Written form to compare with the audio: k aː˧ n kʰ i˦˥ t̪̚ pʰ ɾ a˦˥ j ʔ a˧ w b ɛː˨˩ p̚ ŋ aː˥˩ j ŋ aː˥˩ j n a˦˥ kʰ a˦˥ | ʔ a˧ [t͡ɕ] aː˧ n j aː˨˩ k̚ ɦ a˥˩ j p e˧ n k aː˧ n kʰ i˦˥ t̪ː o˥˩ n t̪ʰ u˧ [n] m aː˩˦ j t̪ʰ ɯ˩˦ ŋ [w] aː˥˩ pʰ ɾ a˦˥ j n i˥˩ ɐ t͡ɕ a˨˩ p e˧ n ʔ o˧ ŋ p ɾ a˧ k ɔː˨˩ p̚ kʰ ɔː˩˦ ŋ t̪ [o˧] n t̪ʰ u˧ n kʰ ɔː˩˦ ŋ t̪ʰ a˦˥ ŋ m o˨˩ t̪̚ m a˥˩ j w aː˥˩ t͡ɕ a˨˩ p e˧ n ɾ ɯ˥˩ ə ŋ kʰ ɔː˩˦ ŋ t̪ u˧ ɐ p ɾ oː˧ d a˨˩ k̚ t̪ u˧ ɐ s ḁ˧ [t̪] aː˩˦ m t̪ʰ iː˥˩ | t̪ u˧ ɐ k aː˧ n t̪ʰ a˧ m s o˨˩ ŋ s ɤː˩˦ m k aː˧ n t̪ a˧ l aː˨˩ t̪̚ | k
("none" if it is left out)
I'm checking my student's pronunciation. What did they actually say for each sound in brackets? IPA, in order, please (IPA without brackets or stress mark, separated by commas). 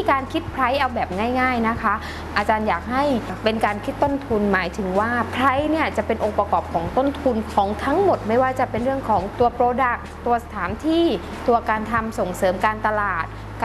t͡ɕ, n, w, o˥˩, t̪ʰ